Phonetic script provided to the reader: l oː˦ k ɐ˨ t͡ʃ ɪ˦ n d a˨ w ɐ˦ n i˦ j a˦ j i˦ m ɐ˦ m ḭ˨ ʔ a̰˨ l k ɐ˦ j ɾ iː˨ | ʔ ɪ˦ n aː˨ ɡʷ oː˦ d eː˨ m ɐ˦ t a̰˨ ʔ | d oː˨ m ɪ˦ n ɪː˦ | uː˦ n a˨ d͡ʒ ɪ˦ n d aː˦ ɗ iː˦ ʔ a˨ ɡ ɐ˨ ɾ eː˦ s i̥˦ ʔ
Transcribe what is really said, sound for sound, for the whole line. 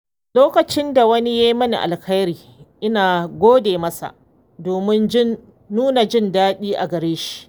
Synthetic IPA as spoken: l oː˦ k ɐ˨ t͡ʃ ɪ˦ n d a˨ w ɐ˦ n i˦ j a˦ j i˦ m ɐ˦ n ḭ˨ ʔ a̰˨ l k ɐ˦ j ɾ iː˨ | ʔ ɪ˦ n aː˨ ɡʷ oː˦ d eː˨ m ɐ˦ s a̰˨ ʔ | d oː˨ m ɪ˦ n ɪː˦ | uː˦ n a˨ d͡ʒ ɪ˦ n d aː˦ ɗ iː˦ ʔ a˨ ɡ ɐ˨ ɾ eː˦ ʃ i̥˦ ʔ

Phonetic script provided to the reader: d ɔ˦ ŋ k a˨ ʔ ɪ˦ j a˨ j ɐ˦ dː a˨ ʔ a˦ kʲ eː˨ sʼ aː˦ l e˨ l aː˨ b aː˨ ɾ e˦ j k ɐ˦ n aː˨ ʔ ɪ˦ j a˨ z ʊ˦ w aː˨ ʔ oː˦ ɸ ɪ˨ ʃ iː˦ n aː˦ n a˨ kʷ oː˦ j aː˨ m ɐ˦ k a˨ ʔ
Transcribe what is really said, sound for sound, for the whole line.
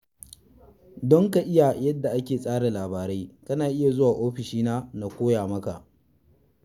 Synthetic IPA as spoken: d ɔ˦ ŋ k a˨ ʔ ɪ˦ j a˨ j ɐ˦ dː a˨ ʔ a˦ kʲ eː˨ sʼ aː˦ ɽ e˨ l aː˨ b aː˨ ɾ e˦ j k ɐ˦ n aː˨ ʔ ɪ˦ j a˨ z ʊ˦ w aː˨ ʔ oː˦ ɸ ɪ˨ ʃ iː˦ n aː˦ n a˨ kʷ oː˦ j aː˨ m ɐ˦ k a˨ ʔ

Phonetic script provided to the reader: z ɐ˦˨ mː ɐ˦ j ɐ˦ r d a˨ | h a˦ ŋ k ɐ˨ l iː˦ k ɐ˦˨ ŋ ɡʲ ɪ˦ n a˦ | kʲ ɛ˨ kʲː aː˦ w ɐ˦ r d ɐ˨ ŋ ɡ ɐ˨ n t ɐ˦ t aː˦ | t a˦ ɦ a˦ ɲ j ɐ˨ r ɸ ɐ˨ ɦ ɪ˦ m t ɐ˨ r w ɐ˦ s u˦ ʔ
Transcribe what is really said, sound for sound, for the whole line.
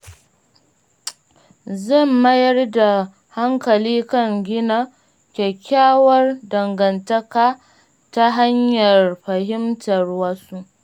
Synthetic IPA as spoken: z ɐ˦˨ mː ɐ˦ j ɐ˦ r d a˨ | h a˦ ŋ k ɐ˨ l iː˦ k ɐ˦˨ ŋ ɡʲ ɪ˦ n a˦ | kʲ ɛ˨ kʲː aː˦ w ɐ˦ r d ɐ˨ ŋ ɡ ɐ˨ n t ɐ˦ k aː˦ | t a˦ ɦ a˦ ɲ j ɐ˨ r ɸ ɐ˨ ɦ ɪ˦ m t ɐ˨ r w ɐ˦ s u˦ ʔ

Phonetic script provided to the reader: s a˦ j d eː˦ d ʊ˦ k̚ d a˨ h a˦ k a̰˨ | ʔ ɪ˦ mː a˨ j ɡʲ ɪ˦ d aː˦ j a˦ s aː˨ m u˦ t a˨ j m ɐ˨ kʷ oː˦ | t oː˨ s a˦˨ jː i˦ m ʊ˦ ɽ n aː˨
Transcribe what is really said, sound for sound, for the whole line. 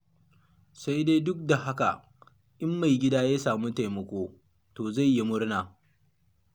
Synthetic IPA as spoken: s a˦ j d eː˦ d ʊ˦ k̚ d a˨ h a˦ k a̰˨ | ʔ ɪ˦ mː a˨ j ɡʲ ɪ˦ d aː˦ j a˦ s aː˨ m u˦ t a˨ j m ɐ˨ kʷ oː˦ | t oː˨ z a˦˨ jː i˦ m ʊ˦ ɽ n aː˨

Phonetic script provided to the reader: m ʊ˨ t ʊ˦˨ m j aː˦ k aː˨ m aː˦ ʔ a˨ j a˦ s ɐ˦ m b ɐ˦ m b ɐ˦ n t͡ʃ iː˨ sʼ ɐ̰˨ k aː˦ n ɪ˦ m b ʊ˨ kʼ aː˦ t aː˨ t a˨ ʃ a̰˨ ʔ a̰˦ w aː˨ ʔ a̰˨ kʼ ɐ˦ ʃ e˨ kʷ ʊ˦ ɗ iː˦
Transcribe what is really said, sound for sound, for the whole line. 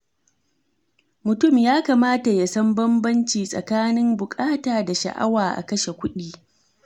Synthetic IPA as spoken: m ʊ˨ t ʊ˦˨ m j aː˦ k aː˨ m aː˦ t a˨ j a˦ s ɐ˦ m b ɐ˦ m b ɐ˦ n t͡ʃ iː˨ sʼ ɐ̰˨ k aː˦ n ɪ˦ m b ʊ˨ kʼ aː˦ t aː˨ d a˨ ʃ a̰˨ ʔ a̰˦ w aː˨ ʔ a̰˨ k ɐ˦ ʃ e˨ kʷ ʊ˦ ɗ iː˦

